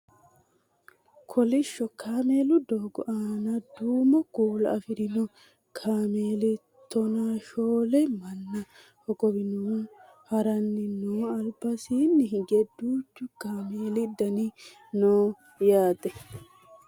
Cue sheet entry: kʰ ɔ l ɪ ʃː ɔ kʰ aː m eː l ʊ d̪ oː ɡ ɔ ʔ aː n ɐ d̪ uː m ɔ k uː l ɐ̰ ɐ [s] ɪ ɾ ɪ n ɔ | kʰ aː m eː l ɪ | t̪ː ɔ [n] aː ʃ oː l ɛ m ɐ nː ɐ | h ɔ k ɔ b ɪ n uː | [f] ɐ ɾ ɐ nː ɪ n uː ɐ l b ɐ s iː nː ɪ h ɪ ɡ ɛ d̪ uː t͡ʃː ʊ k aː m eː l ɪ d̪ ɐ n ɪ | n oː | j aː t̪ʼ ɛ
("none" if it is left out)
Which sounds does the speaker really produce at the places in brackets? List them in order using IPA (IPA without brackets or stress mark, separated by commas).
f, n, h